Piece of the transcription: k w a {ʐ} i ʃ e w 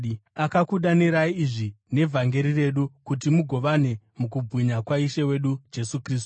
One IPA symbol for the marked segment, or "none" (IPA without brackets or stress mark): none